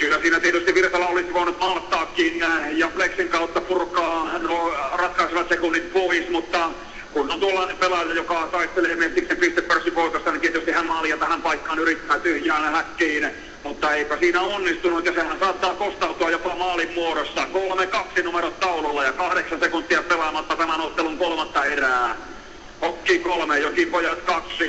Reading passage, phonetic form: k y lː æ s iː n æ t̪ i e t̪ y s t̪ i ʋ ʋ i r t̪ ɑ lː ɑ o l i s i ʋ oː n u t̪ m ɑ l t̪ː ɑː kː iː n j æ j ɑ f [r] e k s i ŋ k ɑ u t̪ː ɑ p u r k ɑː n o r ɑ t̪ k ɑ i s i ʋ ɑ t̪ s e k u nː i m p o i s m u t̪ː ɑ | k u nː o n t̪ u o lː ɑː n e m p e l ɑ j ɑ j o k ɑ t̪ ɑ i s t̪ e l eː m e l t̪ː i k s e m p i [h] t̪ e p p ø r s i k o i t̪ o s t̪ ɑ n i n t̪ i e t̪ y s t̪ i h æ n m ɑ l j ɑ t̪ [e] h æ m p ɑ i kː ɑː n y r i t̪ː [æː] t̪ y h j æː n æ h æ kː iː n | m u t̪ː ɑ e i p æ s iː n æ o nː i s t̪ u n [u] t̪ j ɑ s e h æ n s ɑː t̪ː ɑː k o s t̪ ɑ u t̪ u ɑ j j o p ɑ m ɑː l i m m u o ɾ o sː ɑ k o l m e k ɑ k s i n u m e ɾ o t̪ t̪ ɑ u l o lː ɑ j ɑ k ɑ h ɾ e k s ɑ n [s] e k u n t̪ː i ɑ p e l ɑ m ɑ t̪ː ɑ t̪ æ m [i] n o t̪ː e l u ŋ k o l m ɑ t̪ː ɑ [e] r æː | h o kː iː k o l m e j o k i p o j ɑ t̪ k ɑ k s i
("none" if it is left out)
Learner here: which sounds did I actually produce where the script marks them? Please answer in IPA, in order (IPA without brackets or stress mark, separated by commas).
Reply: l, s, æ, æː, u, s, æ, e